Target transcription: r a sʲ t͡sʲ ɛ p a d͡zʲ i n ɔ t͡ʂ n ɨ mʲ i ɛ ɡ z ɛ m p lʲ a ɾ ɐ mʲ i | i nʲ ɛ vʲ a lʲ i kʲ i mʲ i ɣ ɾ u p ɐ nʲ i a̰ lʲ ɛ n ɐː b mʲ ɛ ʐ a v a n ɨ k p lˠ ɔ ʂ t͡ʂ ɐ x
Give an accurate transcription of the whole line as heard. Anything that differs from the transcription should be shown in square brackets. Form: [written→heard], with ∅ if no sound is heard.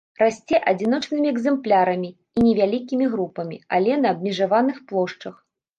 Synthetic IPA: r a sʲ t͡sʲ ɛ [p→ʔ] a d͡zʲ i n ɔ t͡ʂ n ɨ mʲ i ɛ ɡ z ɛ m p lʲ a ɾ ɐ mʲ i | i nʲ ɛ vʲ a lʲ i kʲ i mʲ i ɣ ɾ u p ɐ [nʲ→mʲ] i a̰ lʲ ɛ n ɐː b mʲ ɛ ʐ a v a n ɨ [k→x] p lˠ ɔ ʂ t͡ʂ ɐ x